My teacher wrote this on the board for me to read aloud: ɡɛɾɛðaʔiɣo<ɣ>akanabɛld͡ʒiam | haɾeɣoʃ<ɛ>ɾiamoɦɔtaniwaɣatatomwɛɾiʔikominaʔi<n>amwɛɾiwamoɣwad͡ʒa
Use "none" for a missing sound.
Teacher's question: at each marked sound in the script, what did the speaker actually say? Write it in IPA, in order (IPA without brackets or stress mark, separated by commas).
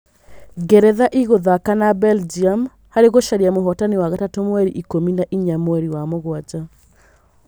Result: ð, a, ɲ